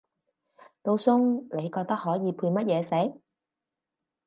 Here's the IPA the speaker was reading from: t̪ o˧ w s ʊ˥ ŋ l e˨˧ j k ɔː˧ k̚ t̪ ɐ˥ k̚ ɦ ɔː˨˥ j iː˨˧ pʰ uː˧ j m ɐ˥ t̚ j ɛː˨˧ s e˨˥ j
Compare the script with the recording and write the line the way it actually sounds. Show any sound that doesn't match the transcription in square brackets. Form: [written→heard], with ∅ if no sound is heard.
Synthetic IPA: t̪ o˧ w s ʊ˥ ŋ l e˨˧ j k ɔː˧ k̚ t̪ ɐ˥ k̚ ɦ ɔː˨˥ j iː˨˧ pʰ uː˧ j m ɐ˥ t̚ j ɛː˨˧ s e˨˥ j